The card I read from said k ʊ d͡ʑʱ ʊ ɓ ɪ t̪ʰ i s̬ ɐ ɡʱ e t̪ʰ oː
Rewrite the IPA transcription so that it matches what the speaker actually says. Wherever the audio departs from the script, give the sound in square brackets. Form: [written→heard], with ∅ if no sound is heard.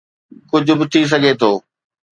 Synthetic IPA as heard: k ʊ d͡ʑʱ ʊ [ɓ→b] ɪ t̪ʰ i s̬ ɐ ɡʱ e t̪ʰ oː

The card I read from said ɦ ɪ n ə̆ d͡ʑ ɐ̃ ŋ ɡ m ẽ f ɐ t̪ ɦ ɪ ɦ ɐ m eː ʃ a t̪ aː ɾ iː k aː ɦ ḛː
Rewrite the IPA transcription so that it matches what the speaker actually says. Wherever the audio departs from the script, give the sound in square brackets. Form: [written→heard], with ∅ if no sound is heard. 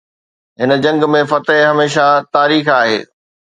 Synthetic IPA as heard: ɦ ɪ n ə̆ d͡ʑ ɐ̃ ŋ ɡ m ẽ f ɐ t̪ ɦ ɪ ɦ ɐ m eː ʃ a t̪ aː ɾ iː [k→x] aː ɦ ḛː

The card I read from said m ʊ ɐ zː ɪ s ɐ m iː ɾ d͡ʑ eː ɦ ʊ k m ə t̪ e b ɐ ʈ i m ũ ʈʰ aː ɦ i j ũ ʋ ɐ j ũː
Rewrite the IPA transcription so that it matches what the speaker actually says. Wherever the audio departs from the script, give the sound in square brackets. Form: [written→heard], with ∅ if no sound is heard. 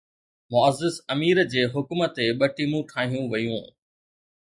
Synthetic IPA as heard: m ʊ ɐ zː ɪ s ɐ m iː ɾ d͡ʑ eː ɦ ʊ k m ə t̪ e [b→ɓ] ɐ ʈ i m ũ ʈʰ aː ɦ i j ũ ʋ ɐ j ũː

